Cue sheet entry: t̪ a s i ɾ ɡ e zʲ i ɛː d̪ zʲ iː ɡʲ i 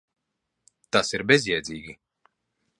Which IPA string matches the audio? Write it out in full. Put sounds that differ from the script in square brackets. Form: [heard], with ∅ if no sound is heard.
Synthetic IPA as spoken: t̪ a s i ɾ [b] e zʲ [j] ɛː d̪ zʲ iː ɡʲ i